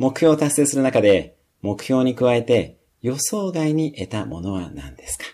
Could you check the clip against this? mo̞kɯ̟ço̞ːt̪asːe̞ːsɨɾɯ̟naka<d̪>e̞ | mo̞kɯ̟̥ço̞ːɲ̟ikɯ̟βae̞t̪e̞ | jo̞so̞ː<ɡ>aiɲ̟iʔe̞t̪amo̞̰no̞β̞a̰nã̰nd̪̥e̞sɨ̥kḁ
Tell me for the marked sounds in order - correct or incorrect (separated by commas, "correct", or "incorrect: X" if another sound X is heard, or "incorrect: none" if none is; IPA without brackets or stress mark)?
correct, correct